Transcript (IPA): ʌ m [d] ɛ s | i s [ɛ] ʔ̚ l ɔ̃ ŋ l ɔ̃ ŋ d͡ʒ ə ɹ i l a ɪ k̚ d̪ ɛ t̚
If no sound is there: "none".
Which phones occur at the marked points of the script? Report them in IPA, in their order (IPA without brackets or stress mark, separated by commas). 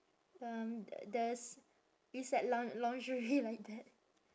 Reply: d, ɛ